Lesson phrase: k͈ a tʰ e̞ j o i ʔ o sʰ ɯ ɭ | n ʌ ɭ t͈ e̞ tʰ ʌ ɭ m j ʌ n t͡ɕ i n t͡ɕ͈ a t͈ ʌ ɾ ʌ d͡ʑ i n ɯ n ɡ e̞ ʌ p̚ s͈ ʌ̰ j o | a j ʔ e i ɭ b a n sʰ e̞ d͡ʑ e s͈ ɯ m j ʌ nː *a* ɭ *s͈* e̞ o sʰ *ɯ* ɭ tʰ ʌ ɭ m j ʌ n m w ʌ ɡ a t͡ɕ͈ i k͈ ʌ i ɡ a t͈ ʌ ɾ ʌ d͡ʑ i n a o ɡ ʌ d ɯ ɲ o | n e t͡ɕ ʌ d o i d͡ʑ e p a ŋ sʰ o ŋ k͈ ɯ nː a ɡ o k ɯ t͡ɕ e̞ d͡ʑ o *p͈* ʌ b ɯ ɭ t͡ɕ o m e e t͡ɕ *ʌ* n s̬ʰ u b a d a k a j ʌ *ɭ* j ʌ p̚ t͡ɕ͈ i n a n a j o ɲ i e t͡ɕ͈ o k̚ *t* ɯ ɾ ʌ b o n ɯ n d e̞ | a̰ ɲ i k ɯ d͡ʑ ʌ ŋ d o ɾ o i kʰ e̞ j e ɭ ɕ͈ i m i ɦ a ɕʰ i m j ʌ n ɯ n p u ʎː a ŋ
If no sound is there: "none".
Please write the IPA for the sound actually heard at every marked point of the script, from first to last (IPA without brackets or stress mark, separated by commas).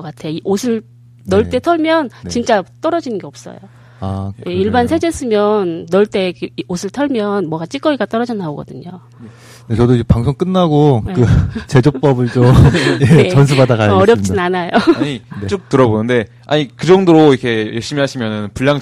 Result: ʌ, t͈, ɯ, p͈, ʌ, ɾ, t